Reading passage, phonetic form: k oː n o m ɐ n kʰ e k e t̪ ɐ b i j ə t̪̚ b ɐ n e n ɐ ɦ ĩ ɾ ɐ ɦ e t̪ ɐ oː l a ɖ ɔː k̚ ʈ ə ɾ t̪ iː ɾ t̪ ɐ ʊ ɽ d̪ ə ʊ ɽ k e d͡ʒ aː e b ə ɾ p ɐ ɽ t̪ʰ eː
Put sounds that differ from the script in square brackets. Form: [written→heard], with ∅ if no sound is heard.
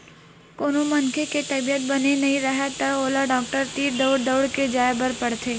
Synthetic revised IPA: k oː n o m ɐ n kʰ e k e t̪ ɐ b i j ə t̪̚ b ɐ n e n ɐ ɦ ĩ ɾ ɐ ɦ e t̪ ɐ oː l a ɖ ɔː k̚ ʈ ə ɾ t̪ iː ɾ [t̪→d̪] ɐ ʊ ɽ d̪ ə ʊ ɽ k e d͡ʒ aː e b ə ɾ p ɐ ɽ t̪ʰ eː

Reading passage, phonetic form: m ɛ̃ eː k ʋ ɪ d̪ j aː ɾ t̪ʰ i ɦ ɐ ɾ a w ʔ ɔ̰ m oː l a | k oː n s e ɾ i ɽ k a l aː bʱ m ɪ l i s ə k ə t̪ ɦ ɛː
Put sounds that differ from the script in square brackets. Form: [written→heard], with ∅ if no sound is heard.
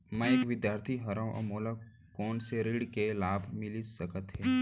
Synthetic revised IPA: m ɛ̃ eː k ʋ ɪ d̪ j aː ɾ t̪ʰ i ɦ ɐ ɾ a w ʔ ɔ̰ m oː l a | k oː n s e ɾ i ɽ k [a→e] l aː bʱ m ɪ l i s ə k ə t̪ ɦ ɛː

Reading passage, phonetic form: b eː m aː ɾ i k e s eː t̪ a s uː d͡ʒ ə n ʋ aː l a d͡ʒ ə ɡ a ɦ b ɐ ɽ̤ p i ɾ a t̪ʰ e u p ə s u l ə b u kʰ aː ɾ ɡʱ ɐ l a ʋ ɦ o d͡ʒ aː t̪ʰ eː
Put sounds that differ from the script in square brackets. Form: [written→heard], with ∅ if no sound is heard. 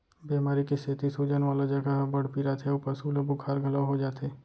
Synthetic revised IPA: b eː m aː ɾ i k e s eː t̪ [a→i] s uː d͡ʒ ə n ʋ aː l a d͡ʒ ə ɡ a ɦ b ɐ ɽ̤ p i ɾ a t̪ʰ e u p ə s u l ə b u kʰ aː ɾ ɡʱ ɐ l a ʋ ɦ o d͡ʒ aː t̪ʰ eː

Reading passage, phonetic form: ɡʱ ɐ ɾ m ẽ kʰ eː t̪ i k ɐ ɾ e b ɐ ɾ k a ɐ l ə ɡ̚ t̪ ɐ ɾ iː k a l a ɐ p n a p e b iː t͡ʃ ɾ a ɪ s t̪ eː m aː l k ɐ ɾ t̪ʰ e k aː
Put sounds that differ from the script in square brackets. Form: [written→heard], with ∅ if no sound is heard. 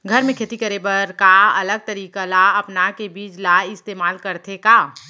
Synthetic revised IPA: ɡʱ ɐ ɾ m ẽ kʰ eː t̪ i k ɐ ɾ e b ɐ ɾ k a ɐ l ə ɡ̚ t̪ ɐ ɾ iː k a l a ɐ p n a [p→k] e b iː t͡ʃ [ɾ→l] a ɪ s t̪ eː m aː l k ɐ ɾ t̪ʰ e k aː

